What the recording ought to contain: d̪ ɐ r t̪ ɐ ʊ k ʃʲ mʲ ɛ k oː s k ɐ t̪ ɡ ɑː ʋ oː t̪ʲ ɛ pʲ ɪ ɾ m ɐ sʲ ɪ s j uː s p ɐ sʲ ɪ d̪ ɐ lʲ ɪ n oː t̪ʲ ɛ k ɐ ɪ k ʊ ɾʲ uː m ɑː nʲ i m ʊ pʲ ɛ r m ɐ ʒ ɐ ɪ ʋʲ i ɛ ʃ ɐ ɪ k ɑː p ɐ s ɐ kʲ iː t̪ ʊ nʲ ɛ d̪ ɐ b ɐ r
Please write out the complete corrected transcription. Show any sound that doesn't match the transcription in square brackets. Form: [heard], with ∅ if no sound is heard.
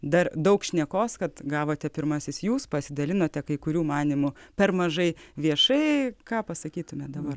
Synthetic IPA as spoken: d̪ ɐ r [d̪] ɐ ʊ k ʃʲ [nʲ] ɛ k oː s k ɐ t̪ ɡ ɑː ʋ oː t̪ʲ ɛ pʲ ɪ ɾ m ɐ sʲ ɪ s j uː s p ɐ sʲ ɪ d̪ ɐ lʲ ɪ n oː t̪ʲ ɛ k ɐ ɪ k ʊ ɾʲ uː m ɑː nʲ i m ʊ pʲ ɛ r m ɐ ʒ ɐ ɪ ʋʲ i ɛ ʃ ɐ ɪ k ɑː p ɐ s ɐ kʲ iː t̪ ʊ [mʲ] ɛ d̪ ɐ b ɐ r